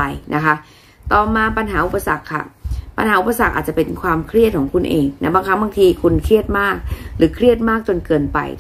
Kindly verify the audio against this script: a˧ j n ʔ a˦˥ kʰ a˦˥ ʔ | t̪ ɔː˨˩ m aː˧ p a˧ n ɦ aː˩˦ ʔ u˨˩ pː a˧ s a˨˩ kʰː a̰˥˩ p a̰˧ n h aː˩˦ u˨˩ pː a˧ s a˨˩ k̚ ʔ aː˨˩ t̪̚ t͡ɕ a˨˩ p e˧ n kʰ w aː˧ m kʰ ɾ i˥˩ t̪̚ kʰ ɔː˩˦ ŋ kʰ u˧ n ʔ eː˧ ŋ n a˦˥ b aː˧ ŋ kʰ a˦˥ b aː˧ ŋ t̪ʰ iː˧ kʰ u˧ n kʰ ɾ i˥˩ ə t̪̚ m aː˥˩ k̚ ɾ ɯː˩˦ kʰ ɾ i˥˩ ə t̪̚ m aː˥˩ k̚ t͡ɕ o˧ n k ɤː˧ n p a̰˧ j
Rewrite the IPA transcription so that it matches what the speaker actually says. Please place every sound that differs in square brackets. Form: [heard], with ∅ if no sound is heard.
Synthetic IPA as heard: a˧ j n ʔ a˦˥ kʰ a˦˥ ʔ | t̪ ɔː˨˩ m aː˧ p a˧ n ɦ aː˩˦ ʔ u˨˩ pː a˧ s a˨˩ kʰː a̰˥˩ p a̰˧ n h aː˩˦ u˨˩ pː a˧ s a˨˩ k̚ ʔ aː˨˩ t̪̚ t͡ɕ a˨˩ p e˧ n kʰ w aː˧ m kʰ ɾ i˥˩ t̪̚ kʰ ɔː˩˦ ŋ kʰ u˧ n ʔ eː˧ ŋ n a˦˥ b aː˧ ŋ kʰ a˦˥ b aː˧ ŋ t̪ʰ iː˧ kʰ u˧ n kʰ ɾ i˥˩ ə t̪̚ m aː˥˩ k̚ ɾ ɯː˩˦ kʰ ɾ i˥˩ ə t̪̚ m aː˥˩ k̚ t͡ɕ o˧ n k ɤː˧ n p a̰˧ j